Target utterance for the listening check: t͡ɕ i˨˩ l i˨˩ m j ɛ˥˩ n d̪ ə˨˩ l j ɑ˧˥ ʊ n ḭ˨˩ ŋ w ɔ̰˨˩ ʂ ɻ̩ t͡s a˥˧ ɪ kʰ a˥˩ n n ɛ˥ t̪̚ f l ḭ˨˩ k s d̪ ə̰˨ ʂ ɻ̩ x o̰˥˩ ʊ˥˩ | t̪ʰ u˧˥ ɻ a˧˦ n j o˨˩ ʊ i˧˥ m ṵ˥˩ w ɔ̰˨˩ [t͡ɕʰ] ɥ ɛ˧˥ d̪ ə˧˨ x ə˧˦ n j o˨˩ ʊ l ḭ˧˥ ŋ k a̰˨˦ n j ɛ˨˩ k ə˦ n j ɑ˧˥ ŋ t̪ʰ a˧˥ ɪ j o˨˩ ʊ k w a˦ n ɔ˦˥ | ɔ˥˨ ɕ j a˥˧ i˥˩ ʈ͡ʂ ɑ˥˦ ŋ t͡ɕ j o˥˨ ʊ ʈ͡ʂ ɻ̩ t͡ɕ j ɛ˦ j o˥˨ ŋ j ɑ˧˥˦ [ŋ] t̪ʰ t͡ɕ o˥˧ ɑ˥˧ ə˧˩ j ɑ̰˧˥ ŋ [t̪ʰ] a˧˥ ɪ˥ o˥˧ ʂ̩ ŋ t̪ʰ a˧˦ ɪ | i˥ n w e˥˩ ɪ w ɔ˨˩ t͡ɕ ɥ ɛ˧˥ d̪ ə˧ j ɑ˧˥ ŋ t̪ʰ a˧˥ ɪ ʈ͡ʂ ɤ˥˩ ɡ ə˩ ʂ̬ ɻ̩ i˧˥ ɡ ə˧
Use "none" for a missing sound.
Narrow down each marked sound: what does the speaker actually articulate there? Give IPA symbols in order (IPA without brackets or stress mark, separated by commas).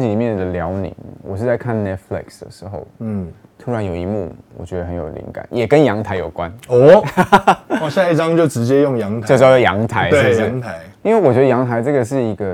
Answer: t͡ɕ, ŋ, t̪ʰ